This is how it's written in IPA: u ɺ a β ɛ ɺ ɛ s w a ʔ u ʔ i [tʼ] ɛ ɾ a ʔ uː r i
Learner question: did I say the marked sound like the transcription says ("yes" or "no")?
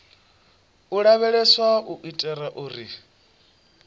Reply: yes